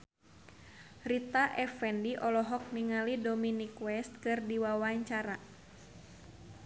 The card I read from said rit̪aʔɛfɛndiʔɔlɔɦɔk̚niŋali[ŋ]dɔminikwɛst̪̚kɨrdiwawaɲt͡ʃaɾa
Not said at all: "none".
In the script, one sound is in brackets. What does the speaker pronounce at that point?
none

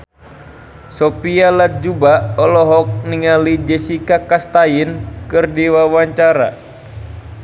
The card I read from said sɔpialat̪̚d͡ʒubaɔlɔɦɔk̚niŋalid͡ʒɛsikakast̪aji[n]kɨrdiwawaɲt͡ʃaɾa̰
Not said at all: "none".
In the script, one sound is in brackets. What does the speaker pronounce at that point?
n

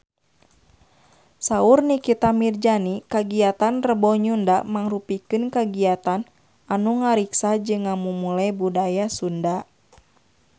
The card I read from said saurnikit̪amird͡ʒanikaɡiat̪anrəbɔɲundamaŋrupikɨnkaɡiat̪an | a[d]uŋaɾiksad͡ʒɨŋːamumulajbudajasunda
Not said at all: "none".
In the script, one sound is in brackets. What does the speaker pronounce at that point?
n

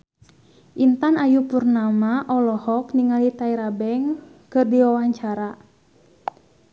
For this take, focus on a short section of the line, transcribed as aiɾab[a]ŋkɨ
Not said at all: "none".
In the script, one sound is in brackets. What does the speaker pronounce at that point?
ɛ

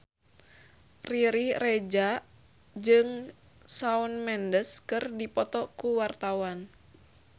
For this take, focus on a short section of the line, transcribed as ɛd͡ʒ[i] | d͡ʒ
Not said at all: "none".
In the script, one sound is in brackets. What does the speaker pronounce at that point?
a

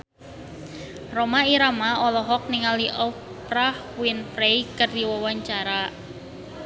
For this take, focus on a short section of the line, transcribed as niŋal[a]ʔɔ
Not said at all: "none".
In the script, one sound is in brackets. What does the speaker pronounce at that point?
i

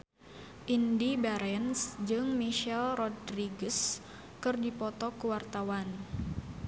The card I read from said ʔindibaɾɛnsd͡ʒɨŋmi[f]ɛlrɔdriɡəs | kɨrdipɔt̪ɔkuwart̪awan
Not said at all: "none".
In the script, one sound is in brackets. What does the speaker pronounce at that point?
ʃ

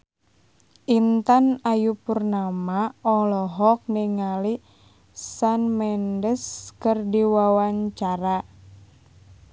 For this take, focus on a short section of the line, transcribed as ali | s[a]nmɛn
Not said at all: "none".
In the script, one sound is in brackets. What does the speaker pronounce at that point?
a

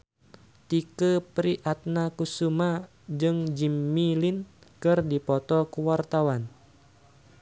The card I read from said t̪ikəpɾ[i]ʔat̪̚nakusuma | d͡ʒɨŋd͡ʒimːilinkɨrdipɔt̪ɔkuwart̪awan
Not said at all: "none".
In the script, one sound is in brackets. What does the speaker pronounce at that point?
i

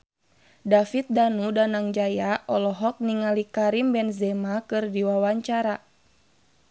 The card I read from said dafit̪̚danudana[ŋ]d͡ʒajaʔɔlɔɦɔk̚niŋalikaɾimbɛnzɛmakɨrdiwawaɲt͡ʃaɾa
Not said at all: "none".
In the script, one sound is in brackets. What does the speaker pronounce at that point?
ŋ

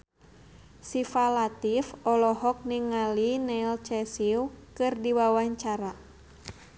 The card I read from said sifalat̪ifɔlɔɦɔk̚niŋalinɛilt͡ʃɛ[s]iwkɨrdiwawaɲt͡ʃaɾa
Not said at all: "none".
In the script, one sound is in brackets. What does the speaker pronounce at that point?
s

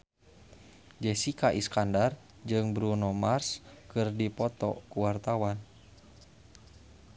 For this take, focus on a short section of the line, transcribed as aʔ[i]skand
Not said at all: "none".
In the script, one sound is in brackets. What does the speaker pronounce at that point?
i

